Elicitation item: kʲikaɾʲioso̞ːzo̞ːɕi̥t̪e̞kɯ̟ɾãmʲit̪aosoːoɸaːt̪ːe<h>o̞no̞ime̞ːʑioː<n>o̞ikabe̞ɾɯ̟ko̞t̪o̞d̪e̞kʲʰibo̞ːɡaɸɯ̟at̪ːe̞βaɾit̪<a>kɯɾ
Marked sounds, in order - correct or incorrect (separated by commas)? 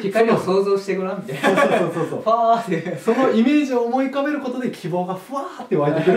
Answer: incorrect, incorrect, incorrect